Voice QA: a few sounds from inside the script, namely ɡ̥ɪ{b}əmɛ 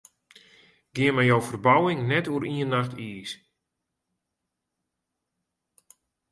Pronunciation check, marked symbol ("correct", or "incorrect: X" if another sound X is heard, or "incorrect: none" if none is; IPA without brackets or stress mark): incorrect: none